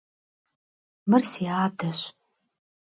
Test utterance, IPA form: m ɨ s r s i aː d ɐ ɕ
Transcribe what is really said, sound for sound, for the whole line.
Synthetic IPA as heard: m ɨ r s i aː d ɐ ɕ